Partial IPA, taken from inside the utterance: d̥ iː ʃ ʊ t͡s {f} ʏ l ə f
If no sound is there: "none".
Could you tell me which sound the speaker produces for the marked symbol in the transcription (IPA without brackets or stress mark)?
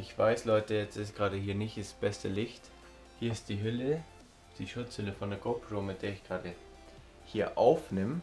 h